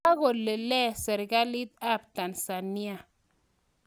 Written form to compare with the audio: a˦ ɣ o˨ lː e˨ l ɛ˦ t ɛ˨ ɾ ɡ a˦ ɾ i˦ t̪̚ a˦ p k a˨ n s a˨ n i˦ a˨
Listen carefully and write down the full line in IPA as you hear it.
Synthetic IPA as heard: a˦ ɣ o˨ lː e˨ l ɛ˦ s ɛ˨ ɾ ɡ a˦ l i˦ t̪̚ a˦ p t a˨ n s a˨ n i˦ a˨

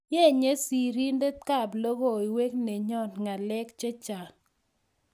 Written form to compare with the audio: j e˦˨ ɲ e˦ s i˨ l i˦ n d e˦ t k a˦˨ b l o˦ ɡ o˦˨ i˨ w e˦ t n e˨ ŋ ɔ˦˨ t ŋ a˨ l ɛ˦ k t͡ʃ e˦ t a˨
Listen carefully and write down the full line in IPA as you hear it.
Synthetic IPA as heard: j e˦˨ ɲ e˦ s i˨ ɾ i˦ n d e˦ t k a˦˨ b l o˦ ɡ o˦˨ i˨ w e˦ k n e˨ ɲ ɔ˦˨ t ŋ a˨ l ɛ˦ k t͡ʃ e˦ t͡ʃ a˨

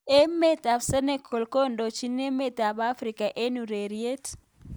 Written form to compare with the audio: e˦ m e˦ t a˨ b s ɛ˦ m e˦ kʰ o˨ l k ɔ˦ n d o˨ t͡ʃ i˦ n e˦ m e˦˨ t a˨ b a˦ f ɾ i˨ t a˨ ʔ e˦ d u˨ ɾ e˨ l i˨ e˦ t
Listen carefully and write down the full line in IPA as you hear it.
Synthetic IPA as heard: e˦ m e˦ t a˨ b s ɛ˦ n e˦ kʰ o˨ l k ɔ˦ n d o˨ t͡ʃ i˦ n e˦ m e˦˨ t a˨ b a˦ f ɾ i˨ k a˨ ʔ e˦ n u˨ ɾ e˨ ɾ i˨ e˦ t

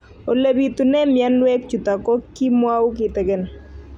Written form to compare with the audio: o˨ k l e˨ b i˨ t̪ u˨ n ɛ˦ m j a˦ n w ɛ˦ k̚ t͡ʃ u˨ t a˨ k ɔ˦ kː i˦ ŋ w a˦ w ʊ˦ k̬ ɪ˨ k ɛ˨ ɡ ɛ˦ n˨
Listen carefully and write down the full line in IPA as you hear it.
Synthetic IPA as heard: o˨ l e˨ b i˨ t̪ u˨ n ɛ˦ m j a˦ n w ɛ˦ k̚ t͡ʃ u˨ t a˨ k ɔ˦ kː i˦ m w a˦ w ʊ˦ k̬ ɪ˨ t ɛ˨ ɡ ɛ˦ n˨

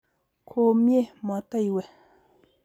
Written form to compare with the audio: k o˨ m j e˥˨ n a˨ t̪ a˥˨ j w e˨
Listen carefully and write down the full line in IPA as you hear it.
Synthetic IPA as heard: kʰ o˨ m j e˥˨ m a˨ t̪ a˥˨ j w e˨

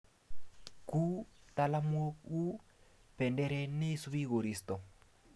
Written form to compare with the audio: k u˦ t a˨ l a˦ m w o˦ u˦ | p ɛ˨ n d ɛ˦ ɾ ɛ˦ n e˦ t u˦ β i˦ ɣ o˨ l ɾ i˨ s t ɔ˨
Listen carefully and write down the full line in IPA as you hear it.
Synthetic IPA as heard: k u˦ t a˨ l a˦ m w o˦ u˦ | p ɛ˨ n d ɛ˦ ɾ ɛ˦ n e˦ s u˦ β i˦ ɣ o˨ ɾ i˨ s t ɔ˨

